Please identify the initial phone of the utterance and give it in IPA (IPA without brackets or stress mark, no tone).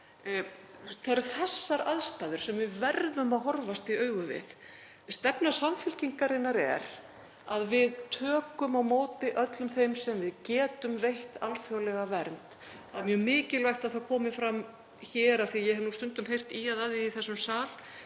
θ